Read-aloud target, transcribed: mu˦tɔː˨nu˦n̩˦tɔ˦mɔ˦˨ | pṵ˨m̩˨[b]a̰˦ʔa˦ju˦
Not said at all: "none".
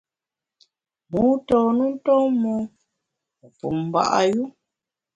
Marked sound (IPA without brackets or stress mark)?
b